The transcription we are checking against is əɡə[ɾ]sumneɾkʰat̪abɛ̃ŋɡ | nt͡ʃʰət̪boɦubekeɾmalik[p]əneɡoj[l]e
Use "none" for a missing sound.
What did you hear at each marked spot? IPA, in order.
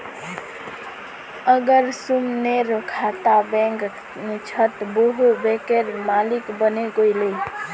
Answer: ɾ, b, l

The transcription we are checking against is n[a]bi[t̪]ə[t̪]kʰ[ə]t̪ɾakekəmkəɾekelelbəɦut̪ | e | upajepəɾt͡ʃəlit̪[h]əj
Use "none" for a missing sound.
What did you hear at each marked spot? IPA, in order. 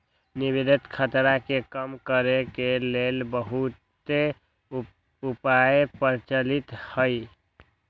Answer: i, d̪, t̪, ə, h

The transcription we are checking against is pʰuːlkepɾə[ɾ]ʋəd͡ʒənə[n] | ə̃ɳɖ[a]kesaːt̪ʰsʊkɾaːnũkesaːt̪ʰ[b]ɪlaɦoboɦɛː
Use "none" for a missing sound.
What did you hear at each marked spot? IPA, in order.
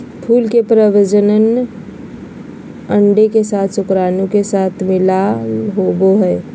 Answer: none, n, e, m

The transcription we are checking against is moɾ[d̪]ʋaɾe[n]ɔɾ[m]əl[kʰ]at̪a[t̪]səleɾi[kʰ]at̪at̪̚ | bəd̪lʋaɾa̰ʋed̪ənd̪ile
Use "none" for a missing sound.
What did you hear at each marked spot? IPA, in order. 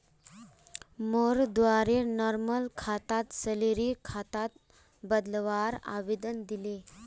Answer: d̪, n, m, kʰ, t̪, kʰ

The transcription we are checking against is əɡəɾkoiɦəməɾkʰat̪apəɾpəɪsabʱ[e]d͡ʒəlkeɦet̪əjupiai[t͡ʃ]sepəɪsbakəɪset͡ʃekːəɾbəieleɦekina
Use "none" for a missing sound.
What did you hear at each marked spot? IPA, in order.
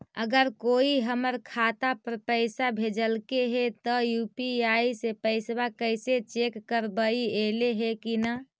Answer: e, none

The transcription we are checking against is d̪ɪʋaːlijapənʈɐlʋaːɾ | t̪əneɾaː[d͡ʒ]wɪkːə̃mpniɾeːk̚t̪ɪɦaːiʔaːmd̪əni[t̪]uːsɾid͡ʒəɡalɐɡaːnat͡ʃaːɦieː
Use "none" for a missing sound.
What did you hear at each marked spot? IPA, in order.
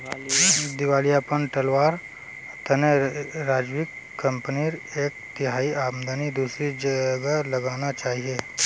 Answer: d͡ʒ, d̪

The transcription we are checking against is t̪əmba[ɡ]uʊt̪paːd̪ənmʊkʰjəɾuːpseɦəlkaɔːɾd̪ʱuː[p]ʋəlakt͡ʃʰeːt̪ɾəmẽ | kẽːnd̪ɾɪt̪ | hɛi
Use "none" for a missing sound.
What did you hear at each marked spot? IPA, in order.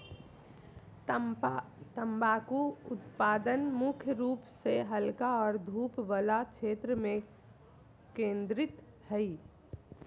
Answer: k, p

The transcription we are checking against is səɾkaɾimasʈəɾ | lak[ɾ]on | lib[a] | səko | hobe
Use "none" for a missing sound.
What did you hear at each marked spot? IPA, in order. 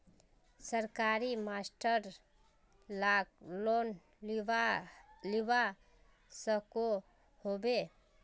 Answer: l, a

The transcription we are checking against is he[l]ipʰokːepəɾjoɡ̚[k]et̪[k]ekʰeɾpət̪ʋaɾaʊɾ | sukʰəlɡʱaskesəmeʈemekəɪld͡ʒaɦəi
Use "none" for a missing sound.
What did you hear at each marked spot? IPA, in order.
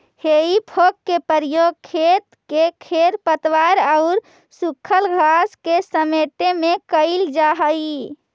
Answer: none, kʰ, k

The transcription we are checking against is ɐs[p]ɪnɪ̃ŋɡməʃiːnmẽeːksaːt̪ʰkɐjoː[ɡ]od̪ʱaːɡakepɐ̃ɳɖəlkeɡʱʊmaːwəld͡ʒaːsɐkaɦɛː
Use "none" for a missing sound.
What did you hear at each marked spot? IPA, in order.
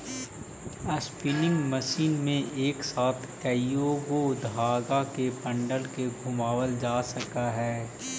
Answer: p, ɡ

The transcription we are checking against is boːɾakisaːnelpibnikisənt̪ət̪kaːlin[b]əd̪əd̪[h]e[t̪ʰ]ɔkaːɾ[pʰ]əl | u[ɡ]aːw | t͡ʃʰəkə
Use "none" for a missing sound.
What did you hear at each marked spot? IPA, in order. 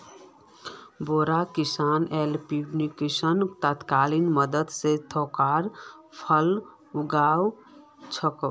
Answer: m, s, t̪ʰ, pʰ, ɡ

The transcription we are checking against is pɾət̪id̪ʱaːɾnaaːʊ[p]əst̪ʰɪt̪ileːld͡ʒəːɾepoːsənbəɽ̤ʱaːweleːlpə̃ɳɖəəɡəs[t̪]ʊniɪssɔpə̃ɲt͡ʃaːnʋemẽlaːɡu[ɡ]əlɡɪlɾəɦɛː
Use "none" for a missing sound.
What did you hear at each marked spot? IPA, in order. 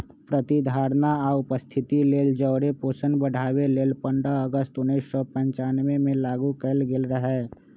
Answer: p, t̪, k

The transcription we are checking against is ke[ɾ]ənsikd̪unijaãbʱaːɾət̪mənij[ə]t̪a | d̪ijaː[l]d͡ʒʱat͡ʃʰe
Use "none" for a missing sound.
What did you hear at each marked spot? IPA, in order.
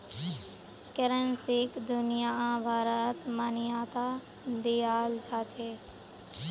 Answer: ɾ, a, l

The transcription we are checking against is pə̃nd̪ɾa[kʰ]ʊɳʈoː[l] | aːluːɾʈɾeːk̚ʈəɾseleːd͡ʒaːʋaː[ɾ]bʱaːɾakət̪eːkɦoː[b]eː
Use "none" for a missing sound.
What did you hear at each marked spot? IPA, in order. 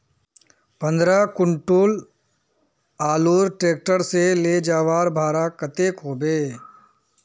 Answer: k, l, ɾ, b

